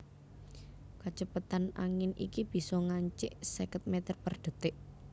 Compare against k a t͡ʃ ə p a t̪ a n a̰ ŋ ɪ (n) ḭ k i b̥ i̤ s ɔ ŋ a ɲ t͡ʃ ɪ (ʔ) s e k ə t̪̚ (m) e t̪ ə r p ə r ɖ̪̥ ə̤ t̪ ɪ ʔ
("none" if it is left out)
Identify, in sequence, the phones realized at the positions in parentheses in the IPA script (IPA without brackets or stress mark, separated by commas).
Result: n, ʔ, m